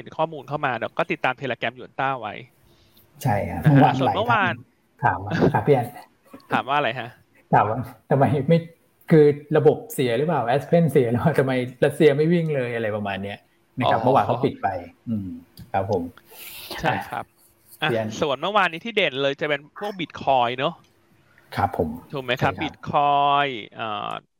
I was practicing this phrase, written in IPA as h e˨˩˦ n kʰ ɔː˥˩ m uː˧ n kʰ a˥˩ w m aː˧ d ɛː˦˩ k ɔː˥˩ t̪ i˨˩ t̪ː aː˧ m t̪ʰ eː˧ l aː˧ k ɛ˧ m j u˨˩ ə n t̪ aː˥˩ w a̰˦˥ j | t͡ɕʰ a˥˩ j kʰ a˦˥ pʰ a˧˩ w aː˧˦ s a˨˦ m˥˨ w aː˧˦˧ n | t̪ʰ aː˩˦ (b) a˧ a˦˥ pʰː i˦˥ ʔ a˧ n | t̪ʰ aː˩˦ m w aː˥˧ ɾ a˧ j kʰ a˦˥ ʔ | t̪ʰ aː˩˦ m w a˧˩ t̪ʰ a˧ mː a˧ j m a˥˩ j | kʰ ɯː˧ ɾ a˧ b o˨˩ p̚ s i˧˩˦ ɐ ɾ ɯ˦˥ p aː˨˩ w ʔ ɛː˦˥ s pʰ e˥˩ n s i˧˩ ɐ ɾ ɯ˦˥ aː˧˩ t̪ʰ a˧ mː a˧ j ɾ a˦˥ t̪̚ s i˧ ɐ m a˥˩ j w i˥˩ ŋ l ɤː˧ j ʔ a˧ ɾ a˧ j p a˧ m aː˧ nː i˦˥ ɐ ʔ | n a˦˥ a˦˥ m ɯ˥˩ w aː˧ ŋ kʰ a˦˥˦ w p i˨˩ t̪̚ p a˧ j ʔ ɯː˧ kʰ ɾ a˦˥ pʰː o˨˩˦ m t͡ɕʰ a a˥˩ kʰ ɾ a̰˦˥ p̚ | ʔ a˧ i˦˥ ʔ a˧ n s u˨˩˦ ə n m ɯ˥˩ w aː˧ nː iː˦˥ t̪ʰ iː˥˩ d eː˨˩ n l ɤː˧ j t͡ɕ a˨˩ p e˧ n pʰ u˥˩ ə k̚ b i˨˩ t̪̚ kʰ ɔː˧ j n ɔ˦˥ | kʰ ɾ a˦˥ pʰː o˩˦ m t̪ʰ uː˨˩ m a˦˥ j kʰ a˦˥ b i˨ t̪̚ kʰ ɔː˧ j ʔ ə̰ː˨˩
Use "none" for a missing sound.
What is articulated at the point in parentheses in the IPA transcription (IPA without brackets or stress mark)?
m